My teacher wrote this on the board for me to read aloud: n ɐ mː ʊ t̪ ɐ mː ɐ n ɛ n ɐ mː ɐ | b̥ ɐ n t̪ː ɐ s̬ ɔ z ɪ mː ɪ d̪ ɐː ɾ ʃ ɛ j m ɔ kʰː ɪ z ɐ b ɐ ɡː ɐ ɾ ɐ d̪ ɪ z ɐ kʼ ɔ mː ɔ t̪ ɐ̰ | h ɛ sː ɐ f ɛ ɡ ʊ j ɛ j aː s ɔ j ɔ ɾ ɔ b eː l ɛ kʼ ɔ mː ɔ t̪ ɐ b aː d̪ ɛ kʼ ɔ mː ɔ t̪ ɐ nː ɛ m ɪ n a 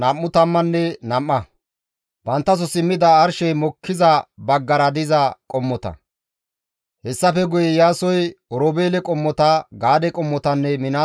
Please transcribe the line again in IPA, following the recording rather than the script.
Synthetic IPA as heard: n ɐ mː ʊ t̪ ɐ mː ɐ nː ɛ n ɐ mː ɐ | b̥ ɐ n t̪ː ɐ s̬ ɔ s ɪ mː ɪ d̪ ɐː ɾ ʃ ɛ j m ɔ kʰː ɪ z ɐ b ɐ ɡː ɐ ɾ ɐ d̪ ɪ z ɐ kʼ ɔ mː ɔ t̪ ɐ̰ | h ɛ sː ɐ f ɛ ɡ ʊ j ɛ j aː s ɔ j ɔ ɾ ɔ b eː l ɛ kʼ ɔ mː ɔ t̪ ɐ ɡ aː d̪ ɛ kʼ ɔ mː ɔ t̪ ɐ nː ɛ m ɪ n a